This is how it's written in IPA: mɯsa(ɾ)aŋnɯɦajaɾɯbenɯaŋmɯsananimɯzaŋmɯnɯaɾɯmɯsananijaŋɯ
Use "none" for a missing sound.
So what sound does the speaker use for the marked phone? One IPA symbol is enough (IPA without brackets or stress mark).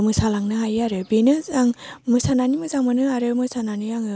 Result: l